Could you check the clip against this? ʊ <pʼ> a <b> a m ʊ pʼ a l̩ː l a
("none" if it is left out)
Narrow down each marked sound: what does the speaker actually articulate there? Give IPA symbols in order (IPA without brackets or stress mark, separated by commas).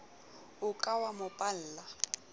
kʼ, w